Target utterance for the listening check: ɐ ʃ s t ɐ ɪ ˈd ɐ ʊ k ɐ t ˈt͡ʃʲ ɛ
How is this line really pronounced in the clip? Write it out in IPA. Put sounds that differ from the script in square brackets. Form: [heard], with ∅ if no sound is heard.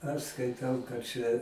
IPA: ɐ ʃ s [k] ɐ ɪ [ˈt] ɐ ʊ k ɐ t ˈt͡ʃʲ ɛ

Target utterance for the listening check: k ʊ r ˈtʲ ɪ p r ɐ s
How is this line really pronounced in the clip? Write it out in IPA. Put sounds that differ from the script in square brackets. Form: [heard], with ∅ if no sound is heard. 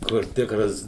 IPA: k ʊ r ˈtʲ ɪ [k] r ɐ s

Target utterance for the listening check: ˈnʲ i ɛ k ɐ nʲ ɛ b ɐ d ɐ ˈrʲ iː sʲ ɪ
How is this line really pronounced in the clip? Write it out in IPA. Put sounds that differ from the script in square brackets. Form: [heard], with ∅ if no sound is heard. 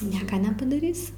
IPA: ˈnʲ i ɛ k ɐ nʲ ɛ [p] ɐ d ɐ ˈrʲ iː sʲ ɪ

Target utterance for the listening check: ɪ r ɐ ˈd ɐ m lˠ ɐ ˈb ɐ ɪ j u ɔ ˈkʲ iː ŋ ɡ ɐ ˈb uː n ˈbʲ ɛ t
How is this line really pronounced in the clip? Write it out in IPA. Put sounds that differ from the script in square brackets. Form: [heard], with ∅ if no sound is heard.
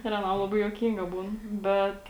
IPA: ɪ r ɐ [ˈn] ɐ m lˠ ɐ ˈb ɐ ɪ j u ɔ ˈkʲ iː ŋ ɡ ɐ ˈb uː n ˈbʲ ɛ t

